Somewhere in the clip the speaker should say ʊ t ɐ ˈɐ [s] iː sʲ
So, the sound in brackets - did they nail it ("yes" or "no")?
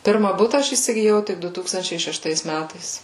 no